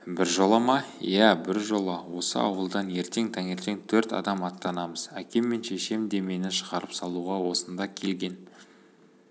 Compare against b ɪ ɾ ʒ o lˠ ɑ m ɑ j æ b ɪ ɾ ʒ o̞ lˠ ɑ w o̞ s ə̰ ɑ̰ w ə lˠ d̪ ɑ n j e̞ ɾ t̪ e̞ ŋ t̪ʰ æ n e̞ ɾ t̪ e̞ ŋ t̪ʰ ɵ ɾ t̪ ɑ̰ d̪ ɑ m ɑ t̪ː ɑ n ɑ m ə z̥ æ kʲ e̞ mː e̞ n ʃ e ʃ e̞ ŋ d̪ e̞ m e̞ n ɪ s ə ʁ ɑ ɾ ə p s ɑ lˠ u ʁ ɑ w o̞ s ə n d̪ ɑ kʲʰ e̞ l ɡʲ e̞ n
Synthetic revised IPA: b ɪ ɾ ʒ o lˠ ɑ m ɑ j æ b ɪ ɾ ʒ o̞ lˠ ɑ w o̞ s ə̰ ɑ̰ w ə lˠ d̪ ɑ n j e̞ ɾ t̪ e̞ ŋ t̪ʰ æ ŋ e̞ ɾ t̪ e̞ ŋ t̪ʰ ɵ ɾ t̪ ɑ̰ d̪ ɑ m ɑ t̪ː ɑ n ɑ m ə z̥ æ kʲ e̞ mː e̞ n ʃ e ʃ e̞ m d̪ e̞ m e̞ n ɪ ʃ ə ʁ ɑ ɾ ə p s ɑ lˠ u ʁ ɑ w o̞ s ə n d̪ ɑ kʲʰ e̞ l ɡʲ e̞ n